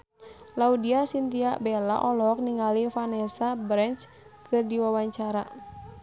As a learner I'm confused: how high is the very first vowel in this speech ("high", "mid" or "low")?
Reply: low